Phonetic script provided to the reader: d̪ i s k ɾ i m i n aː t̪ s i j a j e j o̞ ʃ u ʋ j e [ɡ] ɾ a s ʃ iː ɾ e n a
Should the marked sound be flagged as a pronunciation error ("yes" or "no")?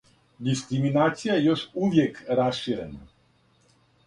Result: yes